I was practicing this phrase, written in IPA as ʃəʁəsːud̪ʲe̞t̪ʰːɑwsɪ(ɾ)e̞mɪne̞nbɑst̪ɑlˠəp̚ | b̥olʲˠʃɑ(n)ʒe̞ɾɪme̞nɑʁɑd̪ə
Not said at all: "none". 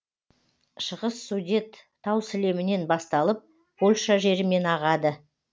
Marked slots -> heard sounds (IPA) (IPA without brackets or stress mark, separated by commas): l, none